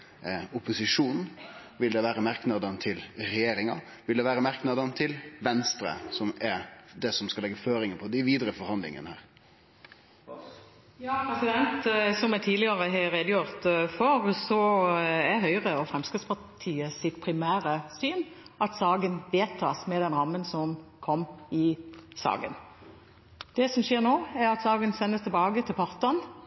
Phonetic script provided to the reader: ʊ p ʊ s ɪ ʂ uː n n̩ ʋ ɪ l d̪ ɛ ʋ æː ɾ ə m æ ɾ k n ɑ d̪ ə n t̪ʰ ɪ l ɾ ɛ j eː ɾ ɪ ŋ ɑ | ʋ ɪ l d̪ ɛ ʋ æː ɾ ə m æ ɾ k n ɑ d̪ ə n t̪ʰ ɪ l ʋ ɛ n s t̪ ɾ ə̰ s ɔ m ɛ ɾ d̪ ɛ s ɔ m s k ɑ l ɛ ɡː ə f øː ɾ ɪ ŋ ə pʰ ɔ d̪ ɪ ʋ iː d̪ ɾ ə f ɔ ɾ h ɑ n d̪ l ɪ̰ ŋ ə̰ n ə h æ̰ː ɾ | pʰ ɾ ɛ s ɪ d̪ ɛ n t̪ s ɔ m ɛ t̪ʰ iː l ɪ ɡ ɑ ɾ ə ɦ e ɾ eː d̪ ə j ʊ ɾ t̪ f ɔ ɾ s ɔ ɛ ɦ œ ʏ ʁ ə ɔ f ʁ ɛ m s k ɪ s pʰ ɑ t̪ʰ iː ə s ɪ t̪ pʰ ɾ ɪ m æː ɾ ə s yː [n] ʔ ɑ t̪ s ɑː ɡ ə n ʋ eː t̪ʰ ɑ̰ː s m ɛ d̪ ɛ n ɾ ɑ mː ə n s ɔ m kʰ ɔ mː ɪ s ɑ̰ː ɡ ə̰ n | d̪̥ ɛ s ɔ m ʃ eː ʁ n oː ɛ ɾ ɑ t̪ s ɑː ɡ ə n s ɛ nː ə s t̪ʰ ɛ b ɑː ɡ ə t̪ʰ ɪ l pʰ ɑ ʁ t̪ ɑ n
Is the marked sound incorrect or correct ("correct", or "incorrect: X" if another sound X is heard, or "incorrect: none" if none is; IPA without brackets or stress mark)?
correct